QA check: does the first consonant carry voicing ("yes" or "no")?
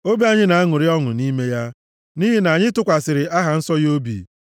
yes